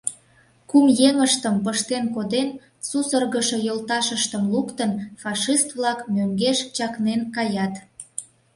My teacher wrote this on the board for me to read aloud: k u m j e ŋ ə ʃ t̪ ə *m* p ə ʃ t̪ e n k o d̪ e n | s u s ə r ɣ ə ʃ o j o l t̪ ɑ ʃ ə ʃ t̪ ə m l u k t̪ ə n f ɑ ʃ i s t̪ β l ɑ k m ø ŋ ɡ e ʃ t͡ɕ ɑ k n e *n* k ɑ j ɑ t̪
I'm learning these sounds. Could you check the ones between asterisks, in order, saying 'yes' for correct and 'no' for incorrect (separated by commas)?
yes, yes